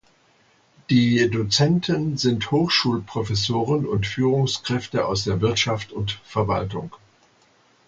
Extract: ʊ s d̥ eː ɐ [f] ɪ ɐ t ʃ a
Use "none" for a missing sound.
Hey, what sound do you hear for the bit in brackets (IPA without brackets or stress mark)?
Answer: v